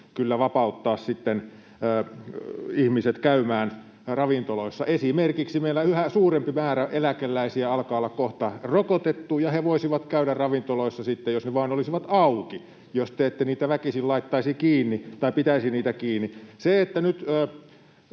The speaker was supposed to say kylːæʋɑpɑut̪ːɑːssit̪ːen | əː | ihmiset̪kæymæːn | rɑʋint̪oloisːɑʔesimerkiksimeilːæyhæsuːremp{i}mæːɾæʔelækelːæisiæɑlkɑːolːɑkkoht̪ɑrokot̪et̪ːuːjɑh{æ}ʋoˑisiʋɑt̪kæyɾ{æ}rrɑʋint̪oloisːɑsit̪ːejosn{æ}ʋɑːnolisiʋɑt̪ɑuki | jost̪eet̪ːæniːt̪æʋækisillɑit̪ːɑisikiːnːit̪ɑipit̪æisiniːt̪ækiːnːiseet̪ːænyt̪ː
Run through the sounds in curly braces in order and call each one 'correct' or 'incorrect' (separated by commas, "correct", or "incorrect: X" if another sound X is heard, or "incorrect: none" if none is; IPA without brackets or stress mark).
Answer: correct, incorrect: e, correct, incorrect: e